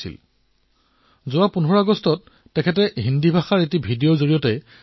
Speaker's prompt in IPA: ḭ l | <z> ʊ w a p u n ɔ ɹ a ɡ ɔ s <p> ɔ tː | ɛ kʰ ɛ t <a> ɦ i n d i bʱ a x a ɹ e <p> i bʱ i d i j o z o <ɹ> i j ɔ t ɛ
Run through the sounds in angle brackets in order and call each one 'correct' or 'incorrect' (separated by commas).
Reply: correct, incorrect, incorrect, incorrect, correct